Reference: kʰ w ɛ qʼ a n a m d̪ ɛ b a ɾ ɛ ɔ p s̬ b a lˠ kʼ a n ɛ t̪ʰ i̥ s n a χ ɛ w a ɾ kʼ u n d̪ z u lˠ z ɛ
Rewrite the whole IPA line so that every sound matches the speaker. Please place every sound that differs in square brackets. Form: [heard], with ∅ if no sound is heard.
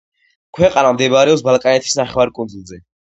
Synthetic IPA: kʰ w ɛ qʼ a n a m d̪ ɛ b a ɾ ɛ ɔ p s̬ b a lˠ kʼ a n ɛ t̪ʰ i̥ s n a χ ɛ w a ɾ kʼ u n d̪ z u lˠ z ɛ

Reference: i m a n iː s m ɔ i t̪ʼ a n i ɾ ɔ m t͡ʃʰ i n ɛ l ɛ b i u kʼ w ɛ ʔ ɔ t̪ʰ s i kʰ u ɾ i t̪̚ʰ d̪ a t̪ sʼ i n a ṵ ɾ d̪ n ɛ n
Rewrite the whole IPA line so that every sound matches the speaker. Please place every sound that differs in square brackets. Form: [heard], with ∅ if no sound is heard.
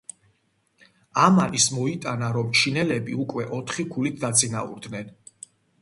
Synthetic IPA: [a] m a n [i] s m ɔ i t̪ʼ a n [a] ɾ ɔ m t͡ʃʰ i n ɛ l ɛ b i u kʼ w ɛ ʔ ɔ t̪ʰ [χ] i kʰ u [l] i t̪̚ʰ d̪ a t̪ sʼ i n a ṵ ɾ d̪ n ɛ n

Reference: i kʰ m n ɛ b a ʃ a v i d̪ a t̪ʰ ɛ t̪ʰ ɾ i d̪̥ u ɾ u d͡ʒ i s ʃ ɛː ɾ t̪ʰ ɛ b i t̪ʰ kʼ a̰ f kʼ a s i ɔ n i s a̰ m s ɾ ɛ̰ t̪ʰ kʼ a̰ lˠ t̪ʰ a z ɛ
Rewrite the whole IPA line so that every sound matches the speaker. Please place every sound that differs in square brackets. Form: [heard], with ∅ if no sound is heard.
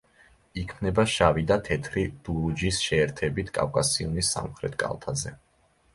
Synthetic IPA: i kʰ m n ɛ b a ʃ a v i d̪ a t̪ʰ ɛ t̪ʰ ɾ i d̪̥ u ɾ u d͡ʒ i s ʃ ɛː ɾ t̪ʰ ɛ b i t̪ʰ kʼ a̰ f kʼ a s i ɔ n i s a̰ m [χ] ɾ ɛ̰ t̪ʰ kʼ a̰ lˠ t̪ʰ a z ɛ

